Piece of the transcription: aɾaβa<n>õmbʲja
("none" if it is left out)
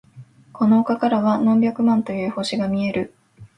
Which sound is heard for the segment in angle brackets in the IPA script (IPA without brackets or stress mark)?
n